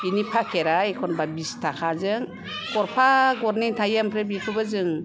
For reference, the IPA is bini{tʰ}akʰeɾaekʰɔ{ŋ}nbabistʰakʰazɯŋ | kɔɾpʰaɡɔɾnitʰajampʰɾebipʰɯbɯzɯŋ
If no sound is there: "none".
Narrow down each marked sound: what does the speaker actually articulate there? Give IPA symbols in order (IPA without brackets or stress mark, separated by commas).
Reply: pʰ, none